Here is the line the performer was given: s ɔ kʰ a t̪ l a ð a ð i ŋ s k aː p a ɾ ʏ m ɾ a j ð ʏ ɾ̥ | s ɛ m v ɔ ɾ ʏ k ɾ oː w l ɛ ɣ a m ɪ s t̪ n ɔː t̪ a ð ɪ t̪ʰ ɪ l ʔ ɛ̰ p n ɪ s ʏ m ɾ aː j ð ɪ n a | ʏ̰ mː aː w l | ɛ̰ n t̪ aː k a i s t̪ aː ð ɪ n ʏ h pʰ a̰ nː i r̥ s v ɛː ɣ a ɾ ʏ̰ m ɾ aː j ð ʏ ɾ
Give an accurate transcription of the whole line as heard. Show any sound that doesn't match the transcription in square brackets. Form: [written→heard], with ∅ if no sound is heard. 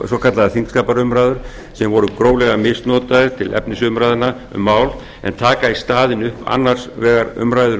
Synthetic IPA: s ɔ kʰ a t̪ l a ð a [ð→θ] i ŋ s k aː p a ɾ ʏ m ɾ a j ð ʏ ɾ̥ | s ɛ m v ɔ ɾ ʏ k ɾ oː w l ɛ ɣ a m ɪ s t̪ n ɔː t̪ a ð ɪ t̪ʰ ɪ l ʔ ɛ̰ p n ɪ s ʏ m ɾ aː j ð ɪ n a | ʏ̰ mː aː w l | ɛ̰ n [t̪→t̪ʰ] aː k a i s t̪ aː ð ɪ n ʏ h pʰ a̰ nː [i→a] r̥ s v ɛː ɣ a ɾ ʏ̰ m ɾ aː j ð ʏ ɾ

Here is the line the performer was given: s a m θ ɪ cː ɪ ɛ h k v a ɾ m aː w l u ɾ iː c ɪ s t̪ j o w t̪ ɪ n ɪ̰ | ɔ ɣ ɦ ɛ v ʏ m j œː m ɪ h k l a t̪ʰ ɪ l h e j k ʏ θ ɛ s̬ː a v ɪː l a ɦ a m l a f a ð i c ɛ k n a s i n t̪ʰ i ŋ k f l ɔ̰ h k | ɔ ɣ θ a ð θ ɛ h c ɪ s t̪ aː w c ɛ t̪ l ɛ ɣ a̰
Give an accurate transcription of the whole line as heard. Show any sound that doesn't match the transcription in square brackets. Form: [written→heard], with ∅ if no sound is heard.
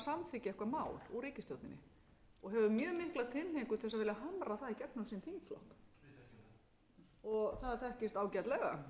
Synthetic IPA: s a m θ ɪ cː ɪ ɛ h k v a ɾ m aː w l u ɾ iː c ɪ s t̪ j o w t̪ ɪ n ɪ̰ | ɔ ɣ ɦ ɛ v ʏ m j œː m ɪ h k l a t̪ʰ ɪ l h e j k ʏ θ ɛ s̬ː a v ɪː l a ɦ a m [l→ɾ] a [f→θ] a ð i c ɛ k n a s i n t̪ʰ i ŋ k f l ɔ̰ h k | ɔ ɣ θ a ð θ ɛ h c ɪ s t̪ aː w c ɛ t̪ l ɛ ɣ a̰

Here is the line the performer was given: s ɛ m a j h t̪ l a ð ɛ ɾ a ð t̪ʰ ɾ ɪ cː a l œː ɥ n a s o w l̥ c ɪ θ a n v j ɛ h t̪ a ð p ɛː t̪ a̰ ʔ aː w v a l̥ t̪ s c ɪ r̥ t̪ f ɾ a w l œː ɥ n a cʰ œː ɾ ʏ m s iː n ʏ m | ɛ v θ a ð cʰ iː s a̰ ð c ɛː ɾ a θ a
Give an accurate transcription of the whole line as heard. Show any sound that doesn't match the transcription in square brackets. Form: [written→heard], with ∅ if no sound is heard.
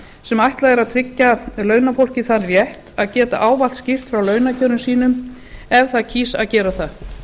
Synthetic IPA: s ɛ m a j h t̪ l a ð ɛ ɾ a ð t̪ʰ ɾ ɪ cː a l œː ɥ n a [s→f] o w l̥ c ɪ θ a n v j ɛ h t̪ a ð [p→c] ɛː t̪ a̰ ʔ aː w v a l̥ t̪ s c ɪ r̥ t̪ f ɾ a w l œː ɥ n a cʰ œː ɾ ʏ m s iː n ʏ m | ɛ v θ a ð cʰ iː s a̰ ð c ɛː ɾ a θ a

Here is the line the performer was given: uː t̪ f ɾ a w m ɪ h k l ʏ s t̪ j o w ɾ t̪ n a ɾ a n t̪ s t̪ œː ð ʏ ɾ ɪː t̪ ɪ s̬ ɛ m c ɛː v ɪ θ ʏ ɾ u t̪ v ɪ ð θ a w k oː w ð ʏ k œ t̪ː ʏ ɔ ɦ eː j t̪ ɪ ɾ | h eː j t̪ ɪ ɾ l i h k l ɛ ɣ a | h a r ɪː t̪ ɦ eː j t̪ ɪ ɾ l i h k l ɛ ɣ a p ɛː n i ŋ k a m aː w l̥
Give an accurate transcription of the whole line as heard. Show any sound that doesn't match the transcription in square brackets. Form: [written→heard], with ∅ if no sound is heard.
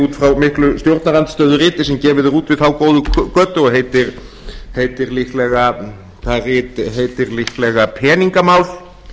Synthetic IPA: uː t̪ f ɾ a w m ɪ h k l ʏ s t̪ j o w ɾ t̪ n a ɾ a n t̪ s t̪ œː ð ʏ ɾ ɪː t̪ ɪ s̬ ɛ m c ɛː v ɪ [θ→ð] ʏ ɾ [u→uː] t̪ v ɪ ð θ a w k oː w ð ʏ k œ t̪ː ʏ ɔ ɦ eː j t̪ ɪ ɾ | h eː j t̪ ɪ ɾ l i h k l ɛ ɣ a | [h→θ] a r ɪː t̪ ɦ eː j t̪ ɪ ɾ l i h k l ɛ ɣ a [p→pʰ] ɛː n i ŋ k a m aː w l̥

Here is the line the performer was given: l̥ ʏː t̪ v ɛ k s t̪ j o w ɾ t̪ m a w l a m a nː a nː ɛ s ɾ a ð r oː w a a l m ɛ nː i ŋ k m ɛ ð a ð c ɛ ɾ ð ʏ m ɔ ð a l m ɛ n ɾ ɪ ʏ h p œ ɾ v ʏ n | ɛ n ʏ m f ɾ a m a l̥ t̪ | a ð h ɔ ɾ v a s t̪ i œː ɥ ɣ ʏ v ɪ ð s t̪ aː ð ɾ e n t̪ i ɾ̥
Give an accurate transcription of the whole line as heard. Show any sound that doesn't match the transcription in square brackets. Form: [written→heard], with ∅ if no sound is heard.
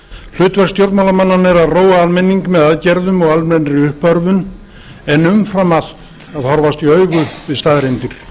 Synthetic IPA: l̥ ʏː t̪ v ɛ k s t̪ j o w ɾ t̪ m a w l a m a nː a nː ɛ [s→∅] ɾ a ð r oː w a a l m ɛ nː i ŋ k m ɛ ð a ð c ɛ ɾ ð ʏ m ɔ [ð→ɣ] a l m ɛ n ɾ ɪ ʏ h p œ ɾ v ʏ n | ɛ n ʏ m f ɾ a m a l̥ t̪ | a ð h ɔ ɾ v a s t̪ i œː ɥ ɣ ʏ v ɪ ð s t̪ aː ð ɾ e n t̪ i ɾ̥

